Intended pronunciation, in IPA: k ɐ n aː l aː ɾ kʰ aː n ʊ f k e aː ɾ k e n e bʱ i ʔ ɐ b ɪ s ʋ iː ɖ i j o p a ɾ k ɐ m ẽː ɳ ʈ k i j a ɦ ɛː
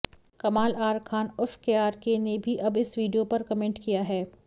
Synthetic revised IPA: k ɐ m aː l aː ɾ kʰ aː n ʊ f k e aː ɾ k e n e bʱ i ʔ ɐ b ɪ s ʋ iː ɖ i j o p ɐ ɾ k ɐ m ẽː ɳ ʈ k i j a ɦ ɛː